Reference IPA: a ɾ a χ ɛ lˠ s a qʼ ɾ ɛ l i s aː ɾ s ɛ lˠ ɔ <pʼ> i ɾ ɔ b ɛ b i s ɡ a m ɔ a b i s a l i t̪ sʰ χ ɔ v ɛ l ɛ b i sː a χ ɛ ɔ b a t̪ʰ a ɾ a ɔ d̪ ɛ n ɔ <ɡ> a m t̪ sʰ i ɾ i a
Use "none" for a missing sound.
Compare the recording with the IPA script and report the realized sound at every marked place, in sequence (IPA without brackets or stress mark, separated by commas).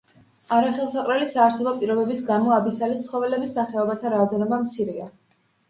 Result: pʼ, b